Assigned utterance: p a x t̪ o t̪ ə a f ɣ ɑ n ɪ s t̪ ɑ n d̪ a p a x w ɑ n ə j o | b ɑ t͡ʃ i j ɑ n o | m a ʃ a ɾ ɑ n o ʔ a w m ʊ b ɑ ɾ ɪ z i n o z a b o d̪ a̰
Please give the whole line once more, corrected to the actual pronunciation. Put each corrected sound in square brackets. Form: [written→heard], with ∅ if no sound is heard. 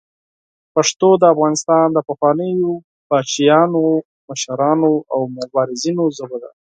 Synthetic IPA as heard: p a [x→ʂ] t̪ o [t̪→d̪] ə a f ɣ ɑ n ɪ s t̪ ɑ n d̪ [a→ə] p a x w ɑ n ə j o | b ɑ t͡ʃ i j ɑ n o | m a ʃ a ɾ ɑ n o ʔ a w m ʊ b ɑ ɾ ɪ z i n o z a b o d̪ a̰